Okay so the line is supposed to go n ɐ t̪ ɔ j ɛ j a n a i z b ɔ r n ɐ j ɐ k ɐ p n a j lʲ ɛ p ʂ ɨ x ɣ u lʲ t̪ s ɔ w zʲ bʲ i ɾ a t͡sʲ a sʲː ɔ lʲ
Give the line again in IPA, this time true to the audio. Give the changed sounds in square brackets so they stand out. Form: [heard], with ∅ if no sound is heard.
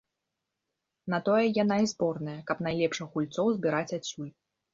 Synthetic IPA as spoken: n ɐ t̪ ɔ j ɛ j a n a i z b ɔ r n ɐ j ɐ k ɐ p n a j lʲ ɛ p ʂ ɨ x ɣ u lʲ t̪ s ɔ w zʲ bʲ i ɾ a t͡sʲ a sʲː [u] lʲ